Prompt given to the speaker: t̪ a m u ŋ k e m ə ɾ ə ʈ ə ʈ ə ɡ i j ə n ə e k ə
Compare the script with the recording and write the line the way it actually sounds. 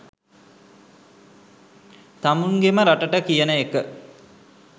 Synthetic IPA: t̪ a m u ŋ ɡ e m ə ɾ a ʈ ə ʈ ə k i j ə n ə e k ə